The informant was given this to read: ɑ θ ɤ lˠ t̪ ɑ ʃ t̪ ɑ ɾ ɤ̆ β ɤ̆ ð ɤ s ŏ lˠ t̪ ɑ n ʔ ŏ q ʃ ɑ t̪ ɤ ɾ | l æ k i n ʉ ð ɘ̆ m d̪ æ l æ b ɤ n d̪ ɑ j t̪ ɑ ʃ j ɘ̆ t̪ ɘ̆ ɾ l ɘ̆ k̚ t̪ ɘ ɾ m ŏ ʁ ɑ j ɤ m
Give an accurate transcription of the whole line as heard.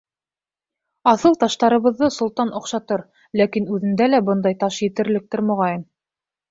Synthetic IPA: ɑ θ ɤ lˠ t̪ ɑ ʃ t̪ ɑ ɾ ɤ̆ β ɤ̆ ðː ɤ s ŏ lˠ t̪ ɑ n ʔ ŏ q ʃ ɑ t̪ ɤ ɾ | l æ k i n ʉ ð ɘ̆ n d̪ æ l æ b ɤ n d̪ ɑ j t̪ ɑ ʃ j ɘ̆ t̪ ɘ̆ ɾ l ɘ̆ k̚ t̪ ɘ ɾ m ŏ ʁ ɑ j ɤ m